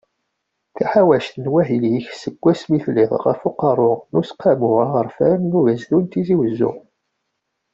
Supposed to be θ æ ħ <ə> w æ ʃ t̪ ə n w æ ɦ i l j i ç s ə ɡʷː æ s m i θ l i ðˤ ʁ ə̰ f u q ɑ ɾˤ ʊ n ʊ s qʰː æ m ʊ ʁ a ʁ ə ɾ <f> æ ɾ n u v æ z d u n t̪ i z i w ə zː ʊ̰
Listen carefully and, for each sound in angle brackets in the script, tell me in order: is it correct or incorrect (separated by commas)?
incorrect, correct